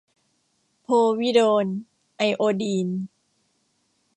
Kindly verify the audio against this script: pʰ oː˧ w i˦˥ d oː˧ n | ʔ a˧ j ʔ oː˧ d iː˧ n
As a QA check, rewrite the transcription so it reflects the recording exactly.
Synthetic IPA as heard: pʰ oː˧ w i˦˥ d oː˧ n | ʔ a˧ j ʔ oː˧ d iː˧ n